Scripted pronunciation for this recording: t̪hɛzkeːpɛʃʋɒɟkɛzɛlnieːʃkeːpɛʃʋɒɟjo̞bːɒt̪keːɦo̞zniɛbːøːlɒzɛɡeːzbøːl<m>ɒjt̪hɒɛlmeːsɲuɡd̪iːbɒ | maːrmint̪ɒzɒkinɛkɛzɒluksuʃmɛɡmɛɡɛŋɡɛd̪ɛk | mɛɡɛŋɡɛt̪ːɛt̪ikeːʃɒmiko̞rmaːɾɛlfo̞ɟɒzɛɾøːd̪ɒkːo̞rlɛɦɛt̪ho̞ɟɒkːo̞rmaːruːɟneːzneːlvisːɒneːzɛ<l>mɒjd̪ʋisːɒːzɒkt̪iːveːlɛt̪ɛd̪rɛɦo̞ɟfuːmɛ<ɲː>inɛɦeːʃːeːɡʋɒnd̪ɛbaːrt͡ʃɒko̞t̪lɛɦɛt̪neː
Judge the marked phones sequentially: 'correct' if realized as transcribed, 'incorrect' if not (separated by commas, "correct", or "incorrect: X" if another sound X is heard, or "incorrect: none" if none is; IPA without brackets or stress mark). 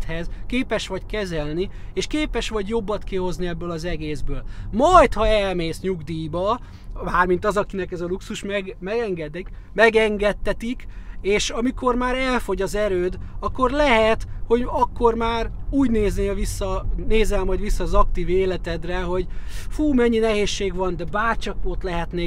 correct, correct, correct